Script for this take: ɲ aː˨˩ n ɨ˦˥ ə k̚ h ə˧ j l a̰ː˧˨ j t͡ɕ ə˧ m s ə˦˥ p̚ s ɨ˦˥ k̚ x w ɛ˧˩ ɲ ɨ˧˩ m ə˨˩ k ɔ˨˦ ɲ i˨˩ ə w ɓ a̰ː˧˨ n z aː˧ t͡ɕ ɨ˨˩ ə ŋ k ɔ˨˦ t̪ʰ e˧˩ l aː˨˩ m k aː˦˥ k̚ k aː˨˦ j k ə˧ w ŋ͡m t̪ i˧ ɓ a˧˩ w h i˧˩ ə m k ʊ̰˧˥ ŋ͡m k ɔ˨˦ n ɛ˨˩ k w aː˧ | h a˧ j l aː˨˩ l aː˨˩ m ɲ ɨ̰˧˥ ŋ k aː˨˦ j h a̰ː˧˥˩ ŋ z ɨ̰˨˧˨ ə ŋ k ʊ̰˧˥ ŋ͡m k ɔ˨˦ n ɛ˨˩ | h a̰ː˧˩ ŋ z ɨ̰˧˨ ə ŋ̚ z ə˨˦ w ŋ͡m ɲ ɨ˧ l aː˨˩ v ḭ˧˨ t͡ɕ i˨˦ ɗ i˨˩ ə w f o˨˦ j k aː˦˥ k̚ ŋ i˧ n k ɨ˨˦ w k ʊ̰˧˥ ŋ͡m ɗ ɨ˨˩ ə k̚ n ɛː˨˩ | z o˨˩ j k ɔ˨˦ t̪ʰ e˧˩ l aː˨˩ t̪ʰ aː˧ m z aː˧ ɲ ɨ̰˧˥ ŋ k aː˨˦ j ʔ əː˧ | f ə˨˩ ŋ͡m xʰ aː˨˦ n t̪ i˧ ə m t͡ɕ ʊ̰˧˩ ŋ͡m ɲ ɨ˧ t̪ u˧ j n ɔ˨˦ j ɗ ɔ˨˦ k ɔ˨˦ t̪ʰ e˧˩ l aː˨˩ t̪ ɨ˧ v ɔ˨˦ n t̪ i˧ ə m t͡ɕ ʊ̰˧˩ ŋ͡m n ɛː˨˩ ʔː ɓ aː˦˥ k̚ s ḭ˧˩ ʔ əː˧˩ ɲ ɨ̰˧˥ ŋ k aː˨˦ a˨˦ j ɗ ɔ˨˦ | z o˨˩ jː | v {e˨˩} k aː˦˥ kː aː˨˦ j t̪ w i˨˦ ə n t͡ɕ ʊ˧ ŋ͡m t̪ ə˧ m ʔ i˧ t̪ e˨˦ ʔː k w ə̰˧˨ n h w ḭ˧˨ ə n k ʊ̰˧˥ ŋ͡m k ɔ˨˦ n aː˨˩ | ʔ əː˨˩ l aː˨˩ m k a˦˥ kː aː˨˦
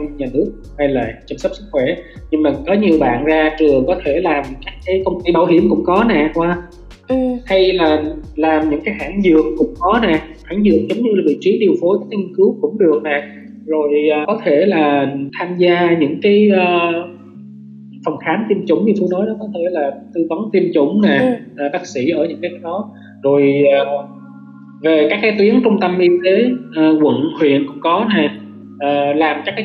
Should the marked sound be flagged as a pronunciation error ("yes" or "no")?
no